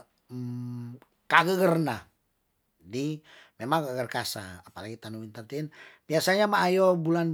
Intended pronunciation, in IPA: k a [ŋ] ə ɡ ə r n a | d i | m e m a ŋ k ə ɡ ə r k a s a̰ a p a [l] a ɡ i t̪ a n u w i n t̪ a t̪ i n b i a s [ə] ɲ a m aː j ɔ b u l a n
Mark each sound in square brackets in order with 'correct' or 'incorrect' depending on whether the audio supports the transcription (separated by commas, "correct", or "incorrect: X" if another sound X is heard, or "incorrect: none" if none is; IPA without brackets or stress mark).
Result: incorrect: ɡ, correct, incorrect: a